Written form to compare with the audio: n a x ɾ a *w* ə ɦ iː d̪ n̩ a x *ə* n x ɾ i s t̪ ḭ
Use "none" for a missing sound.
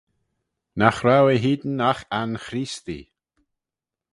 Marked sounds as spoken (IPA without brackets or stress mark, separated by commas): w, a